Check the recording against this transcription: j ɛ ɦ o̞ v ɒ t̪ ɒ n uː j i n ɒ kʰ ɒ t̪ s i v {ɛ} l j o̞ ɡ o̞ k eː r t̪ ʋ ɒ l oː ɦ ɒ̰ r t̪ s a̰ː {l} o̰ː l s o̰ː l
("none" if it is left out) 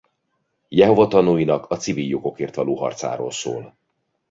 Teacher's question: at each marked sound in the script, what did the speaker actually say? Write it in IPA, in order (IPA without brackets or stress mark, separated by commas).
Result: i, ɾ